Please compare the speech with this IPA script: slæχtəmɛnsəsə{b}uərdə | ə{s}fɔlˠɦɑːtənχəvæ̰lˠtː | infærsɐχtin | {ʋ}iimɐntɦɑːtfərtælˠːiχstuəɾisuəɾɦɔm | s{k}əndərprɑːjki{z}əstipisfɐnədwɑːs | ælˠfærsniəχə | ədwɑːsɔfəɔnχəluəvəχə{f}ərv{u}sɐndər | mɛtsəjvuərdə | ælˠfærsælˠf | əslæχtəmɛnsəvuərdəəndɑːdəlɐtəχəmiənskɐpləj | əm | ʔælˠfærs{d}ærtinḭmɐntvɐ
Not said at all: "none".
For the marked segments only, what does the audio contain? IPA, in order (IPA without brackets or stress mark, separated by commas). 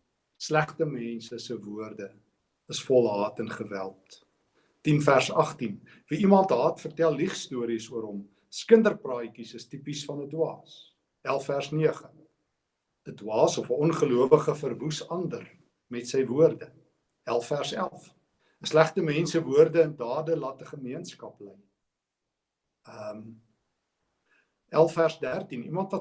v, s, v, k, s, f, u, d